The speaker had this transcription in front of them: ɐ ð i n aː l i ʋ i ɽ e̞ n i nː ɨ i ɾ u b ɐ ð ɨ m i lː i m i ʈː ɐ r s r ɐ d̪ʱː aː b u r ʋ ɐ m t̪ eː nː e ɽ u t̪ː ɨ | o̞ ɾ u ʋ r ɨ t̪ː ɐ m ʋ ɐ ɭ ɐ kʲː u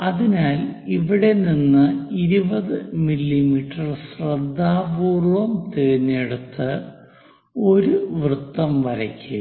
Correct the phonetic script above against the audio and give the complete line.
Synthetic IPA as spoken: ɐ ð i n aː l i ʋ i ɽ e̞ n i nː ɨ i ɾ u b ɐ ð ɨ m i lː i m i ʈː ɐ r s r ɐ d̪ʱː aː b uː r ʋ ɐ m t̪ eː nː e ɽ u t̪ː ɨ | o̞ ɾ u ʋ r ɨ t̪ː ɐ m ʋ ɐ ɾ ɐ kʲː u